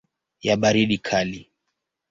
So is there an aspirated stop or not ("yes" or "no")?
yes